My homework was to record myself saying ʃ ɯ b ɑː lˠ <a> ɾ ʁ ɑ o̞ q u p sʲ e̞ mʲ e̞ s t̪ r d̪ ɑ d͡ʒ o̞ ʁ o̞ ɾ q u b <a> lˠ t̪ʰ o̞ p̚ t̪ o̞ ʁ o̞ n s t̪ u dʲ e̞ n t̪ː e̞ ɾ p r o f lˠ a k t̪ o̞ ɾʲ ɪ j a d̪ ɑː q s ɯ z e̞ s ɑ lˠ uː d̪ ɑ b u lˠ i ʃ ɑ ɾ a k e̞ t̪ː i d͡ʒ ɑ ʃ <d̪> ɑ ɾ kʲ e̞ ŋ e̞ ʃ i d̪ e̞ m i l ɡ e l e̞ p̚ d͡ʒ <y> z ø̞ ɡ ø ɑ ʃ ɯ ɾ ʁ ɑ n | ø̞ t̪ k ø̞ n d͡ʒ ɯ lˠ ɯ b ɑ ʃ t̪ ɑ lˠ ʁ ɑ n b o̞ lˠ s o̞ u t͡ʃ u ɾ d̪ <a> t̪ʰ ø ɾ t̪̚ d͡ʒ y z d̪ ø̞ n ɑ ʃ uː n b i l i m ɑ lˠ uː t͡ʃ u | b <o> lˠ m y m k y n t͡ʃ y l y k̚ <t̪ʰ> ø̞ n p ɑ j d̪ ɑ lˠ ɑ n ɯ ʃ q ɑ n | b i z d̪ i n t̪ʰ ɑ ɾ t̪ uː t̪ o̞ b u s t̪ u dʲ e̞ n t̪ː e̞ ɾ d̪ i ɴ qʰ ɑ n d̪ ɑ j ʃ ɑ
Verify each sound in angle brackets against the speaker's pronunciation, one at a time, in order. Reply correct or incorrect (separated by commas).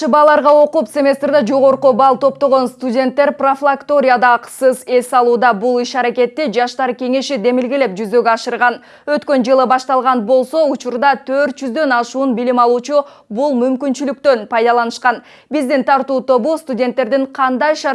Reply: incorrect, incorrect, incorrect, correct, incorrect, incorrect, incorrect